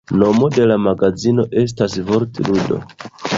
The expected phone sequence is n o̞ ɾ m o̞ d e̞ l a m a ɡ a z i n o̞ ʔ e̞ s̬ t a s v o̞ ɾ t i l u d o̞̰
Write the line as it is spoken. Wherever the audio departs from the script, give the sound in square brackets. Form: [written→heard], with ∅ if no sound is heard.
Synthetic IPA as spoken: n o̞ [ɾ→∅] m o̞ d e̞ l a m a ɡ a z i n o̞ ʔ e̞ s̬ t a s v o̞ ɾ t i l u d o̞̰